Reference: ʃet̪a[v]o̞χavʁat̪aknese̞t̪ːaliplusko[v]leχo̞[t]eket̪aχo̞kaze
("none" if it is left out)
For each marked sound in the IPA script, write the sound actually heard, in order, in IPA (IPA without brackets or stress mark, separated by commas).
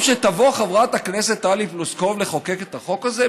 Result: v, v, k